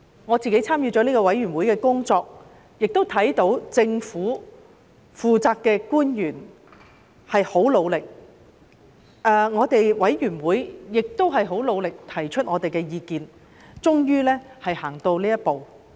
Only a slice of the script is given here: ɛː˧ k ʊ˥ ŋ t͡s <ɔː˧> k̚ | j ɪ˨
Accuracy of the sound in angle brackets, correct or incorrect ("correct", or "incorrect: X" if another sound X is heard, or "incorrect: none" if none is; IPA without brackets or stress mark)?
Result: correct